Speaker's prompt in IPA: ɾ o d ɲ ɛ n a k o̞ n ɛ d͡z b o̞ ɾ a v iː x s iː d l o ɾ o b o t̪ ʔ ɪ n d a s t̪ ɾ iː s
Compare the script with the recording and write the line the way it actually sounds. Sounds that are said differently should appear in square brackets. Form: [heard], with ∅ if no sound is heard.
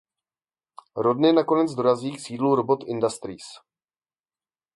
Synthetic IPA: ɾ o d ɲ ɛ n a k o̞ n ɛ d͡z [d] o̞ ɾ a [z] iː [k] s iː d l [u] ɾ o b o t̪ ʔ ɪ n d a s t̪ ɾ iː s